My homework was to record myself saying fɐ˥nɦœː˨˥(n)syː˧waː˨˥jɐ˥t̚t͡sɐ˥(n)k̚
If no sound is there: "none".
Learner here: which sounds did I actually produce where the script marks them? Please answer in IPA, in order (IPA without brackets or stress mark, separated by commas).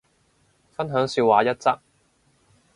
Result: ŋ, none